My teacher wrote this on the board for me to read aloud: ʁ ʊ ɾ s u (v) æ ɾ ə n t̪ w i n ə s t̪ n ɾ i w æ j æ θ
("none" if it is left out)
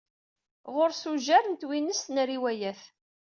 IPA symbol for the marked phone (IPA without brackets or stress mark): ʒ